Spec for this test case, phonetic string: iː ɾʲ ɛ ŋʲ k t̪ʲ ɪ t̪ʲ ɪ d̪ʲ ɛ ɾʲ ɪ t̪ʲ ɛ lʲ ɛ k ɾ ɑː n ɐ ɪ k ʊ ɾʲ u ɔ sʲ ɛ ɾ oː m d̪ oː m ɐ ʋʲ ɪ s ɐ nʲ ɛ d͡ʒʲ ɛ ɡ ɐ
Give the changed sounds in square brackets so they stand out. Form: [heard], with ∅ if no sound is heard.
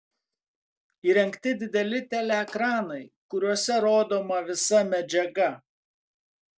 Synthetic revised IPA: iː ɾʲ ɛ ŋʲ k t̪ʲ ɪ [d̪ʲ] ɪ d̪ʲ ɛ [lʲ] ɪ t̪ʲ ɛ lʲ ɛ k ɾ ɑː n ɐ ɪ k ʊ ɾʲ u ɔ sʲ ɛ ɾ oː [∅] d̪ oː m ɐ ʋʲ ɪ s ɐ [mʲ] ɛ d͡ʒʲ ɛ ɡ ɐ